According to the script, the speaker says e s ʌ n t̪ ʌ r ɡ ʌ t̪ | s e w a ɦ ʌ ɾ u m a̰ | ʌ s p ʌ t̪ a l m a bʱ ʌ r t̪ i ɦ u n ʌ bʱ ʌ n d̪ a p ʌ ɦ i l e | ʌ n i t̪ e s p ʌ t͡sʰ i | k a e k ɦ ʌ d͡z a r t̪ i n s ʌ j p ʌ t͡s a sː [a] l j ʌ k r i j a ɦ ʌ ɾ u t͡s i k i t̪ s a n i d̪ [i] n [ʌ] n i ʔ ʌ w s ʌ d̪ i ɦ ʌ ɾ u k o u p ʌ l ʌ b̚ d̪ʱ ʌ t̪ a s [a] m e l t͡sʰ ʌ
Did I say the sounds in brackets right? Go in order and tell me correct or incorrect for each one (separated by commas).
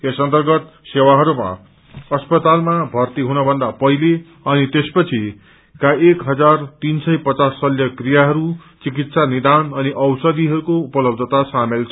incorrect, incorrect, correct, correct